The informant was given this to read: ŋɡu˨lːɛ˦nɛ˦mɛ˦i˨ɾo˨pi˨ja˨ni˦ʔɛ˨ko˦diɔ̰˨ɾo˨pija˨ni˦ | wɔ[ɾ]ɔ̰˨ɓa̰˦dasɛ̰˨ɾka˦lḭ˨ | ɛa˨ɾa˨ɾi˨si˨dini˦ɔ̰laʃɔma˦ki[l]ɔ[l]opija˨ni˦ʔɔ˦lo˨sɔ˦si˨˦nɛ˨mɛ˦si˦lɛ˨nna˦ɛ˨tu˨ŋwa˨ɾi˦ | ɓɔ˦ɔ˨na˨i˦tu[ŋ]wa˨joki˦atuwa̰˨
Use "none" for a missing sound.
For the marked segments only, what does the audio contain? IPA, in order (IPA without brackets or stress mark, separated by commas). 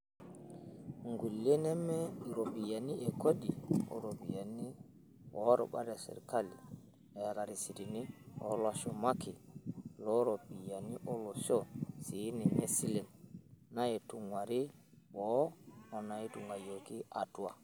ɾ, l, ɾ, ŋ